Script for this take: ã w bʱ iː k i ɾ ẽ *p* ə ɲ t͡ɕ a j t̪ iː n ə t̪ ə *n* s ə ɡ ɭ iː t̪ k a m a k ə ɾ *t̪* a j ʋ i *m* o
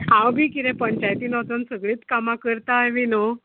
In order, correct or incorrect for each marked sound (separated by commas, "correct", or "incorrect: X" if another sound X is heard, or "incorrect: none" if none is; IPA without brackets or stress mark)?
correct, correct, correct, incorrect: n